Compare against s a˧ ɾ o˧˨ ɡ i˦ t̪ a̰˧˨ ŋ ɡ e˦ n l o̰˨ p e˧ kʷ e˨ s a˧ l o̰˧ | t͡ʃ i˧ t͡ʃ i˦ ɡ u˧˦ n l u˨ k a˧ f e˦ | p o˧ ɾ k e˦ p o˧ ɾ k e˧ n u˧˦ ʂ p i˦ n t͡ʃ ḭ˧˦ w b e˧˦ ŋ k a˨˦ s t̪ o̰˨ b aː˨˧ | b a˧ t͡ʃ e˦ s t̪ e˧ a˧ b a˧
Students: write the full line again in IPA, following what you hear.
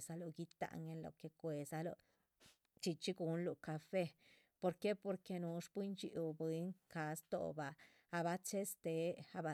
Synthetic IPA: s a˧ l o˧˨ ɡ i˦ t̪ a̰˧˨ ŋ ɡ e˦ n l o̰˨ k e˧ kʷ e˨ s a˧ l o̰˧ | t͡ʃ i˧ t͡ʃ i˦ ɡ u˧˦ n l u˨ k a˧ f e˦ | p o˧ ɾ k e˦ p o˧ ɾ k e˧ n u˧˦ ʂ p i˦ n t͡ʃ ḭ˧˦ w b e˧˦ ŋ k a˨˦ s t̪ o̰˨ b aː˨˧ | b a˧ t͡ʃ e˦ s t̪ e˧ a˧ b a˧